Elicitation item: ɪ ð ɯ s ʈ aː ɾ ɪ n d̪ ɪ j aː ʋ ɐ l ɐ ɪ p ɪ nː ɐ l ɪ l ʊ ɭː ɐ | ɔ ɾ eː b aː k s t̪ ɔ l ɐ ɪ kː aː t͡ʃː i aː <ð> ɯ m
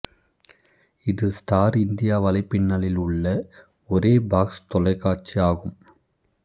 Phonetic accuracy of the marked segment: incorrect: ɣ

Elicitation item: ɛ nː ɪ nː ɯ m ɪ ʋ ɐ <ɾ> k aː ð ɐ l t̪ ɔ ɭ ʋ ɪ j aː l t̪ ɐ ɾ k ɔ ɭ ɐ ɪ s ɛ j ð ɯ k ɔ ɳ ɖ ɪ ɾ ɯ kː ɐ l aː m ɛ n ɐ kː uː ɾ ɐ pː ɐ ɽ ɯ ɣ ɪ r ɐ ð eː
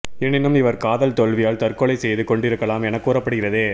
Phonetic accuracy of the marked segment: correct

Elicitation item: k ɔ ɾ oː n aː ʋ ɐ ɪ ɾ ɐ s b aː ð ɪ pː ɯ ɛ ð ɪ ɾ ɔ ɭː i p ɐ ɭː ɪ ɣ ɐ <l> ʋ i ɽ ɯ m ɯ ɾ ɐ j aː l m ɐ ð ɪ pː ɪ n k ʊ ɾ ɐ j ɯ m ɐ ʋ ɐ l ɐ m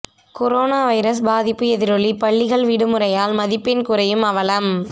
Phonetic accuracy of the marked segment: incorrect: ɭ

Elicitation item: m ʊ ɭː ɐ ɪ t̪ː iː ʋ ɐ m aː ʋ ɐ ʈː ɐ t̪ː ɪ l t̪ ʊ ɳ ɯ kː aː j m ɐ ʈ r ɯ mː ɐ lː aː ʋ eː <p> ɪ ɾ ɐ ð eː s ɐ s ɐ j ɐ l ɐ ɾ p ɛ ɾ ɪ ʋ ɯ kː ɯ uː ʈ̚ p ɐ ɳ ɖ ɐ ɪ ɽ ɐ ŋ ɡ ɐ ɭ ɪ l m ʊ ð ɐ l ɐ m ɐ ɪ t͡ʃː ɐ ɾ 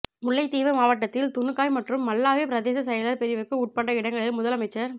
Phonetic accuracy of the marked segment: correct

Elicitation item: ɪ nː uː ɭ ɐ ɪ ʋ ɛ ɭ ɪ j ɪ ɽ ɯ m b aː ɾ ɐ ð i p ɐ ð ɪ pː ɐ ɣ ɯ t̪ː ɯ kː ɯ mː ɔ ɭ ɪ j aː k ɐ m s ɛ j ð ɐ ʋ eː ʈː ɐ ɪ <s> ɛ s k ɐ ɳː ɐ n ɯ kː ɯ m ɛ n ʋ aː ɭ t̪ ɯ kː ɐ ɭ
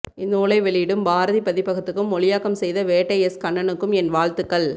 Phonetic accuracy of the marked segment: incorrect: none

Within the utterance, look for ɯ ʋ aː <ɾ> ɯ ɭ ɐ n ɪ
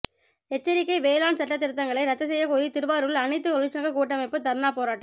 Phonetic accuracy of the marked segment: correct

